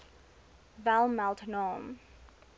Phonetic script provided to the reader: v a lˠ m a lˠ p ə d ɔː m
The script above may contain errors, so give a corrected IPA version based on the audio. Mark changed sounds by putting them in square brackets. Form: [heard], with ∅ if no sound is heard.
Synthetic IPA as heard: v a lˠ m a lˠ [t] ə [n] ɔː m